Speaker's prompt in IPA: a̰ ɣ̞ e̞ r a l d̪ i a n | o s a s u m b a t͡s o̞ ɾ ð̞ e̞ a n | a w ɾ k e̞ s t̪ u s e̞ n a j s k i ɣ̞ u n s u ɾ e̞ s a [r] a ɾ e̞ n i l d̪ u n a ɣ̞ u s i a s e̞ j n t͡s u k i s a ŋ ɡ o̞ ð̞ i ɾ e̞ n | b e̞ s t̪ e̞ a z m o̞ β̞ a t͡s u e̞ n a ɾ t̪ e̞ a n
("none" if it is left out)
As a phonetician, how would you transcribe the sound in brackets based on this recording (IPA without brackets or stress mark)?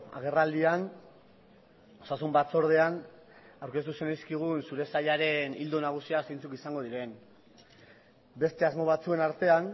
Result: ʎ